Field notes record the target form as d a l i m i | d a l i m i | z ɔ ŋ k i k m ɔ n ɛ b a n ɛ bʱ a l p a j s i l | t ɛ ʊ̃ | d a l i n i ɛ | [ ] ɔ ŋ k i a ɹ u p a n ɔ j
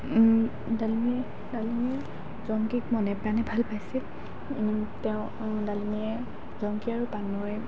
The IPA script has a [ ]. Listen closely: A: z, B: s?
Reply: A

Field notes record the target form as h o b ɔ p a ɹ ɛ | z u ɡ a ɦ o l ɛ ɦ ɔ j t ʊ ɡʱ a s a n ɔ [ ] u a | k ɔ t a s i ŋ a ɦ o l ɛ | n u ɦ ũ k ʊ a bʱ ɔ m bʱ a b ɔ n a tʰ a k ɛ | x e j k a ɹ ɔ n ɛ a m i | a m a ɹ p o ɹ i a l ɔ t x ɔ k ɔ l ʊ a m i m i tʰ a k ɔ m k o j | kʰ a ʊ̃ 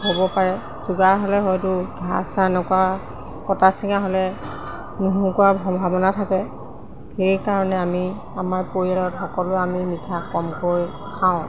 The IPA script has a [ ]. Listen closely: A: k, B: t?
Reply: A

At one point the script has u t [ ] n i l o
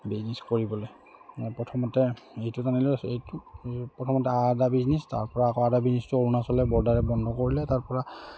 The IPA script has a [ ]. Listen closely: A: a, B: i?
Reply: A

